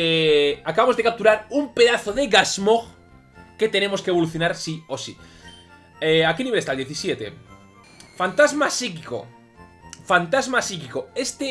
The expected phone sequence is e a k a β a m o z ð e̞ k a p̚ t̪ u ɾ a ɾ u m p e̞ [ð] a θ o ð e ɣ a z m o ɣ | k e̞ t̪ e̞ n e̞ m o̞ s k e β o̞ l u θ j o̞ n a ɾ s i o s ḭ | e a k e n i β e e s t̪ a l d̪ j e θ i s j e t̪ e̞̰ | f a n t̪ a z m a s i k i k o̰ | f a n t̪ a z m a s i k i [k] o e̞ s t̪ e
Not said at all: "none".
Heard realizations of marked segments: ð, k

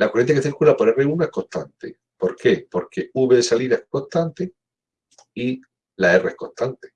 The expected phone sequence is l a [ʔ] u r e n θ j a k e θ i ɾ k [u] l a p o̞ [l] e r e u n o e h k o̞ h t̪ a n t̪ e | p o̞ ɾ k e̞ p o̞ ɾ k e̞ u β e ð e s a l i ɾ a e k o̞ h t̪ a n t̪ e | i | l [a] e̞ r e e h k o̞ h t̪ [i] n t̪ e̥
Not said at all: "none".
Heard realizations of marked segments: k, u, ɾ, a, a

